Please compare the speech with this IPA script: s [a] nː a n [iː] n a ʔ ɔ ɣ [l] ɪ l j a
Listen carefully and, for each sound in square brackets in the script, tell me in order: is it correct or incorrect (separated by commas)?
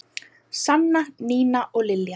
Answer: correct, correct, correct